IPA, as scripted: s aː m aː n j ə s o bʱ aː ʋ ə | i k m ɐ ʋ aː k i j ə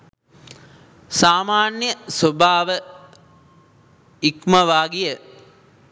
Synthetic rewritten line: s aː m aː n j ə s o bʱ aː ʋ ə | i k m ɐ ʋ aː ɡ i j ə

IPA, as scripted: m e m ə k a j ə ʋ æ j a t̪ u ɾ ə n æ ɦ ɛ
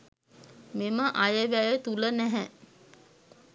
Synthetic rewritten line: m e m ə ʔ a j ə ʋ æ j ə t̪ u l ə n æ ɦ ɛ

